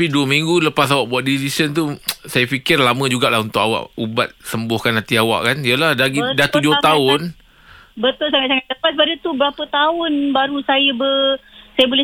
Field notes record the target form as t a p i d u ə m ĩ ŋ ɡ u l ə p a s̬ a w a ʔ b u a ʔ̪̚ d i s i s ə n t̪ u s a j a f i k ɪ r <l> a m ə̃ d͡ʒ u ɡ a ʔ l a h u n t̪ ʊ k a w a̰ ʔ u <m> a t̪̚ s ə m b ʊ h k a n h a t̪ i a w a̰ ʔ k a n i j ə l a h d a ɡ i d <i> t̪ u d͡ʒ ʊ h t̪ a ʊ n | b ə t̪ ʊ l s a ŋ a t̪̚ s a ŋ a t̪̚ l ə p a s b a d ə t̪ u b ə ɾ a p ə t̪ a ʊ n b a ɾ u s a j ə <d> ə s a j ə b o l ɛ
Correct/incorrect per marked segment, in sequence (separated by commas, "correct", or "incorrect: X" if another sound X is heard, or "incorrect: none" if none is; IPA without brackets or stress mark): correct, incorrect: b, incorrect: a, incorrect: b